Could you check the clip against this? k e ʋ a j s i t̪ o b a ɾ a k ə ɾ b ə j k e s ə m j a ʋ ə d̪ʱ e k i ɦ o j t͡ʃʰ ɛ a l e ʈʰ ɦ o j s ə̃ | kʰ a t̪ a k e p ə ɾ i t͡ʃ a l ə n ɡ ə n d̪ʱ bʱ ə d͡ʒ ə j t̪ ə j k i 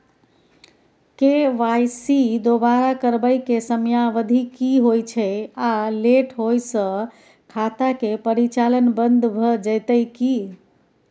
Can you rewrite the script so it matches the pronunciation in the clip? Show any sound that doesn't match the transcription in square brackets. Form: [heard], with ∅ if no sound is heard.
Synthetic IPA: k e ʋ a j s i [d̪] o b a ɾ a k ə ɾ b ə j k e s ə m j a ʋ ə d̪ʱ [i] k i ɦ o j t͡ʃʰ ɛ a l e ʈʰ ɦ o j s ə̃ | kʰ a t̪ a k e p ə ɾ i t͡ʃ a l ə n [b] ə n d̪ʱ bʱ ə d͡ʒ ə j t̪ ə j k i